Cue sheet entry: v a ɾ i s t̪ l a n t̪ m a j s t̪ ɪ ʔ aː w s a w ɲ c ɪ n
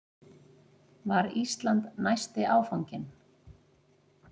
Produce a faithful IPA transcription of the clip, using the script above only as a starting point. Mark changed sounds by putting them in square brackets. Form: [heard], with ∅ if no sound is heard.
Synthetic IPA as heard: v a ɾ i s t̪ l a n t̪ [n] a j s t̪ ɪ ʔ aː w [f] a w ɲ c ɪ n